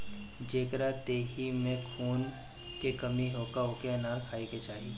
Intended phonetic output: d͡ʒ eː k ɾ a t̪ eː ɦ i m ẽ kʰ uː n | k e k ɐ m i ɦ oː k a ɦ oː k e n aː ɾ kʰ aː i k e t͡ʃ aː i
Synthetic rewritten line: d͡ʒ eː k ɾ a t̪ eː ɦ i m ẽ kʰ uː n | k e k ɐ m i ɦ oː k a ɦ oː k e n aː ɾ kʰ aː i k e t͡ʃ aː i